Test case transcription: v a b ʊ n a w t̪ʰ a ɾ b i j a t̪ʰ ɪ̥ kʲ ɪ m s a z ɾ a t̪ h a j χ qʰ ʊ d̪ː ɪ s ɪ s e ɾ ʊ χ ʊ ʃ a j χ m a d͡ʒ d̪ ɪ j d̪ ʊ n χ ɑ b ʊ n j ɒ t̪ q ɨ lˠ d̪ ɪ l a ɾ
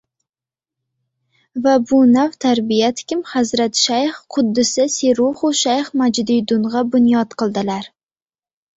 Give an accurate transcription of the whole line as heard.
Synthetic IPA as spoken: v a b ʊ n a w t̪ʰ a ɾ b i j a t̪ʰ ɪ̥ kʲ ɪ m h a z ɾ a t̪ ʃ a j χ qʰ ʊ d̪ː ɪ s ɪ s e ɾ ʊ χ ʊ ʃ a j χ m a d͡ʒ d̪ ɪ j d̪ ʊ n ʁ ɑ b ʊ n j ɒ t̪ q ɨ lˠ d̪ ɪ l a ɾ